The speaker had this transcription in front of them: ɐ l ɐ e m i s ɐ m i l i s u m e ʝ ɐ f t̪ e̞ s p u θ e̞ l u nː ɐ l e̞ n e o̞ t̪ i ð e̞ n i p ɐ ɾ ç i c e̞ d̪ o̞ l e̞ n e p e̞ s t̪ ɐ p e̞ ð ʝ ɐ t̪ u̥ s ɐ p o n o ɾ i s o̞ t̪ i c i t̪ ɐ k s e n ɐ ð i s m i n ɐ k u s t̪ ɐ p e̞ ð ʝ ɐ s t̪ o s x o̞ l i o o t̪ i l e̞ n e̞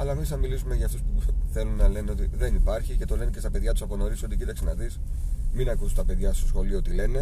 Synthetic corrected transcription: ɐ l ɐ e m i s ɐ m i l i s u m e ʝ ɐ f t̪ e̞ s p u θ e̞ l u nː ɐ l e̞ n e o̞ t̪ i ð e̞ n i p ɐ ɾ ç i c e̞ t̪ o̞ l e̞ n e c e̞ s t̪ ɐ p e̞ ð ʝ ɐ t̪ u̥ s ɐ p o n o ɾ i s o̞ t̪ i c i t̪ ɐ k s e n ɐ ð i s m i n ɐ k u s t̪ ɐ p e̞ ð ʝ ɐ s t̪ o s x o̞ l i o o t̪ i l e̞ n e̞